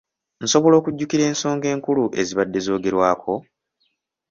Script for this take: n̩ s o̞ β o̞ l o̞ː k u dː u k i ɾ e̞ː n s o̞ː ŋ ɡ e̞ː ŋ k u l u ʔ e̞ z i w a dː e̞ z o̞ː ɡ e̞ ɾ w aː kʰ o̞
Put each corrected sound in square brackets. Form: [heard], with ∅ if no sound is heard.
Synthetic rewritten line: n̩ s o̞ β o̞ l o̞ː k u [ɟː] u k i ɾ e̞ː n s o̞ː ŋ ɡ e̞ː ŋ k u l u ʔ e̞ z i [β] a dː e̞ z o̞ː ɡ e̞ ɾ w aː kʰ o̞